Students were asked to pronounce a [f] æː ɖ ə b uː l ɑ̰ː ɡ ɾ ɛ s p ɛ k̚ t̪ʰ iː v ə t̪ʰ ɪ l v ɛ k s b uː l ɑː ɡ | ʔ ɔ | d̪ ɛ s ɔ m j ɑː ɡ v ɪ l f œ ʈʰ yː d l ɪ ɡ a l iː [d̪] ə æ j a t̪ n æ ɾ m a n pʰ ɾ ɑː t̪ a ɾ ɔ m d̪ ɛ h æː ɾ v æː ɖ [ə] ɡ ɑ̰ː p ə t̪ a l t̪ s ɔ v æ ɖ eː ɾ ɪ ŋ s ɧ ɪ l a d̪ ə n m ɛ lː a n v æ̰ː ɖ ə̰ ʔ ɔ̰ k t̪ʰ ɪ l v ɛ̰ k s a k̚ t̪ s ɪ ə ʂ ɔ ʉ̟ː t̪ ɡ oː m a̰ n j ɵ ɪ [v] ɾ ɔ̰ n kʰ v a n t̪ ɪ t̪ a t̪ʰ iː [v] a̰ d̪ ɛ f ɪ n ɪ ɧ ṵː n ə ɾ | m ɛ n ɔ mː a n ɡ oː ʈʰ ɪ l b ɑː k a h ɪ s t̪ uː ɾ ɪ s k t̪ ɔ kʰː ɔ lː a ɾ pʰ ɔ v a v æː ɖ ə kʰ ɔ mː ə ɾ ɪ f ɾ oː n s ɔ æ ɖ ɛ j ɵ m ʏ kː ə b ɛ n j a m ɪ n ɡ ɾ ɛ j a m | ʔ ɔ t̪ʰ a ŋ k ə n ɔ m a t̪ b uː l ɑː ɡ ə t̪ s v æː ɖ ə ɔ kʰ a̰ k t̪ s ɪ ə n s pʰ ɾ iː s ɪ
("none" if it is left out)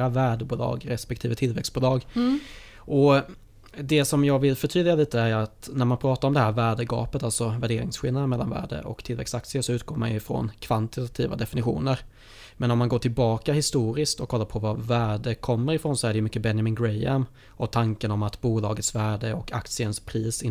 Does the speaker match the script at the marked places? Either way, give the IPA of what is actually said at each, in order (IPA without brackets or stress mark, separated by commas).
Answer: v, t̪, ə, f, v